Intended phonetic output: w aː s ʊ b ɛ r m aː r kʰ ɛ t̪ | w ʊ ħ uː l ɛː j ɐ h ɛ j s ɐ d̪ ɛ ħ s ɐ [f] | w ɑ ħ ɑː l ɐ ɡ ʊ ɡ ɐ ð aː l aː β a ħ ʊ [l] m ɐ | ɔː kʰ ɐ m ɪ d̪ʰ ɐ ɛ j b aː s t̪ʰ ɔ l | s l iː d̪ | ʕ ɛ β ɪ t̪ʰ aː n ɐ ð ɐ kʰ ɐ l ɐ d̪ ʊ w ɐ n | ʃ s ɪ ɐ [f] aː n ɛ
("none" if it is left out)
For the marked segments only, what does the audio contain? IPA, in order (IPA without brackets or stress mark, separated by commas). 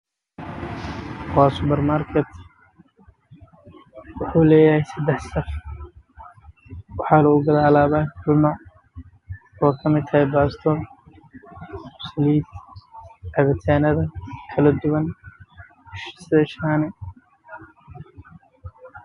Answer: f, l, ʃ